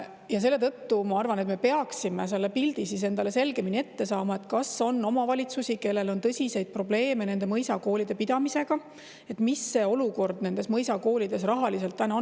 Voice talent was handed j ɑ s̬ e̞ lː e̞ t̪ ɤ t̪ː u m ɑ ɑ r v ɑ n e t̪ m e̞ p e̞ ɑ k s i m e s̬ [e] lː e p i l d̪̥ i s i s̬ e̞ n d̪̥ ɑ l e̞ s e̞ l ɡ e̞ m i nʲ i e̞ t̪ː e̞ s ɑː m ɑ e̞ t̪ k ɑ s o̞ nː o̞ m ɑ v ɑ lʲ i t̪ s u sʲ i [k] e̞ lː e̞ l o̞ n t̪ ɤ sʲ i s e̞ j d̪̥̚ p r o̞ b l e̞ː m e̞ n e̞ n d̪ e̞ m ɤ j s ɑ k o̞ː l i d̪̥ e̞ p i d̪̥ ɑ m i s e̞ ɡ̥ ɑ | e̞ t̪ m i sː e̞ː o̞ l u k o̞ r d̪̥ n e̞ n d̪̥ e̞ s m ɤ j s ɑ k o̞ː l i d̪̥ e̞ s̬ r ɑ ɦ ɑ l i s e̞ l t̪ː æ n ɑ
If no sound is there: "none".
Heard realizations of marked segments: e, k

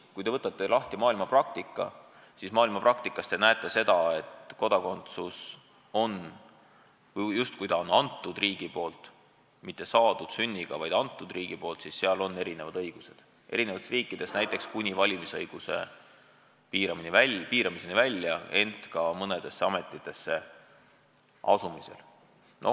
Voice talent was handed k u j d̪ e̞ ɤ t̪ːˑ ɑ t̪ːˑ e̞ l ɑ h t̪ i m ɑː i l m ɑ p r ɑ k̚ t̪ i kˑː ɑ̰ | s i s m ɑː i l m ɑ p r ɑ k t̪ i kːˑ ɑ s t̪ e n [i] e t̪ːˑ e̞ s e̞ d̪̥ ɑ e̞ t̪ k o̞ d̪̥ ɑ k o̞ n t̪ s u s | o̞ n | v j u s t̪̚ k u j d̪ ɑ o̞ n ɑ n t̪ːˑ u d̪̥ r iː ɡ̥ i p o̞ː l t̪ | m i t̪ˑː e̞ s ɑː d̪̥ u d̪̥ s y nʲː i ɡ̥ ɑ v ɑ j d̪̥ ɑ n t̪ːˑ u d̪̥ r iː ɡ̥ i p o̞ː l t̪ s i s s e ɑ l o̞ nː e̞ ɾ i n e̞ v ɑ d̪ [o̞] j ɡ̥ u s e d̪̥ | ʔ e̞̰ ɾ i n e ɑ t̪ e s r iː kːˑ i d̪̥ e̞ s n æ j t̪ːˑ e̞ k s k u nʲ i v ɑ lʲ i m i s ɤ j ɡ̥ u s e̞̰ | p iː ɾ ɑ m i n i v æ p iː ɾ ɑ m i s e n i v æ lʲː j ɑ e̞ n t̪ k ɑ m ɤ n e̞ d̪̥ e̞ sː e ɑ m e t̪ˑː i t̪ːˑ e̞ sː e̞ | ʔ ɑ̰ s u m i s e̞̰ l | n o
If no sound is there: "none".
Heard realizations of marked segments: æ, ɤ̞

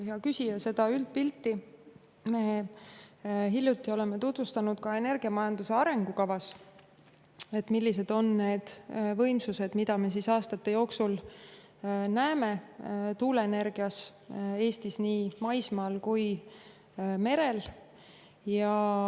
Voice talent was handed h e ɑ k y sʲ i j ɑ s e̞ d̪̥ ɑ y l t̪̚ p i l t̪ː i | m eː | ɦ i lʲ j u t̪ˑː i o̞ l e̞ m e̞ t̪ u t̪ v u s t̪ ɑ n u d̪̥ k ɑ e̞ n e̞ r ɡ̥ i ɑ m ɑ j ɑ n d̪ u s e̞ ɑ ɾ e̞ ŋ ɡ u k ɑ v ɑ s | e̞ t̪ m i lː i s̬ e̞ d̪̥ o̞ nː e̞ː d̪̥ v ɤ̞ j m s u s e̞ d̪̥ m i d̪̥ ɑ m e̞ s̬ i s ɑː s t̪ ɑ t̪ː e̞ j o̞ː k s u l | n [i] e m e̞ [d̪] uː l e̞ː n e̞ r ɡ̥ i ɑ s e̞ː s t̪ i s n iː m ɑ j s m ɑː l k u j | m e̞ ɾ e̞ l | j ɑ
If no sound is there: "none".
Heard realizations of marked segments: æ, t̪

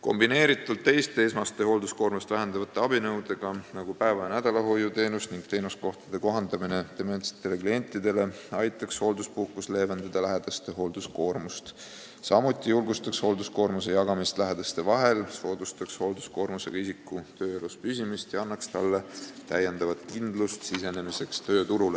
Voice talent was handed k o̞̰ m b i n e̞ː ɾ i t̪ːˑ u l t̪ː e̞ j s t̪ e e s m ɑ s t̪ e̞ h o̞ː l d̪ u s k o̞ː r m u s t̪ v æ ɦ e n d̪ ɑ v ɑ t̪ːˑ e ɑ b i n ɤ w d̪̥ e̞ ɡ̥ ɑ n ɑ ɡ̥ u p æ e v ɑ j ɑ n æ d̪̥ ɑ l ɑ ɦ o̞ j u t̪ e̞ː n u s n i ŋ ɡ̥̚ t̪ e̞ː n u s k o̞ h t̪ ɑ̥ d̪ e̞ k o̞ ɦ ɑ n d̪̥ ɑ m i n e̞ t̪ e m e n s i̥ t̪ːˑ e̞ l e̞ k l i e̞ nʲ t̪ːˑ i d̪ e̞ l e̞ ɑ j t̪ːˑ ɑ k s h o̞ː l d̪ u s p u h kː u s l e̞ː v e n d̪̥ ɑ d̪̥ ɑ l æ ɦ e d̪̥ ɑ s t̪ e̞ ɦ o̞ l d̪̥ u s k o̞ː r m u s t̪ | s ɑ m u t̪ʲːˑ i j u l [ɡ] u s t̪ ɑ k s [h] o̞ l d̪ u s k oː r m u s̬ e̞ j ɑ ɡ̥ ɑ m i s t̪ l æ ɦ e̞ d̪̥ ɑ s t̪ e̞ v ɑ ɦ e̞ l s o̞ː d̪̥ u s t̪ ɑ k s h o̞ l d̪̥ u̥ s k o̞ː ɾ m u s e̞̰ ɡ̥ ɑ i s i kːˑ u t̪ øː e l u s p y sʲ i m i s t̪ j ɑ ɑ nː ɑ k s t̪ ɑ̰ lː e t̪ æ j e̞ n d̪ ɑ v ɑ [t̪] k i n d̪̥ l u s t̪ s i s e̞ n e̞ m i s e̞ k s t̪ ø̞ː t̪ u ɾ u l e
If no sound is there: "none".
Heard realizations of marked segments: ɡ, h, t̪

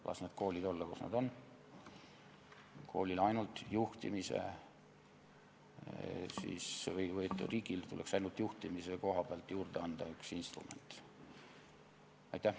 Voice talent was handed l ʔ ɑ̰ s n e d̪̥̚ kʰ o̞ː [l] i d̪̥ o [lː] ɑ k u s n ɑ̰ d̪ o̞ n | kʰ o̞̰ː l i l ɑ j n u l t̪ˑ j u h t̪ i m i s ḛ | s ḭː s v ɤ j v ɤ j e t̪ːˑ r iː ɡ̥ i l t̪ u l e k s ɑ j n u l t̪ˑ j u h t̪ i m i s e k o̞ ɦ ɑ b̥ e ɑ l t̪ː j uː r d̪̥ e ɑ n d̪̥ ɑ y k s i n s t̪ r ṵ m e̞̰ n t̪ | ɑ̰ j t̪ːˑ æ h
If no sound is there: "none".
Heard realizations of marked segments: l, lː

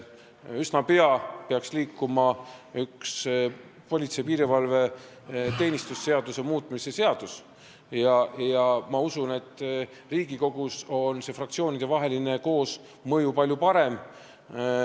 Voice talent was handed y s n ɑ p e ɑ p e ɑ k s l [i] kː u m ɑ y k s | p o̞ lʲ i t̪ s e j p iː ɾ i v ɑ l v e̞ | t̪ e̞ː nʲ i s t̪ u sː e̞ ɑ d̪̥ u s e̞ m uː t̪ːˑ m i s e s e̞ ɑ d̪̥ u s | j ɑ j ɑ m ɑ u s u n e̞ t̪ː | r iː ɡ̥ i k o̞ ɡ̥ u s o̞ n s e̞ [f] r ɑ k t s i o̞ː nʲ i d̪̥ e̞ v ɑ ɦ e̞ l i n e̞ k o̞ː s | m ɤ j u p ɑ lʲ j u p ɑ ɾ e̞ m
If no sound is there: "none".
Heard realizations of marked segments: iː, f

